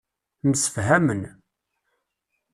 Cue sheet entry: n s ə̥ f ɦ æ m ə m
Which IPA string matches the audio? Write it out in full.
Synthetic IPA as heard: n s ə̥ f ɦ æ m ə n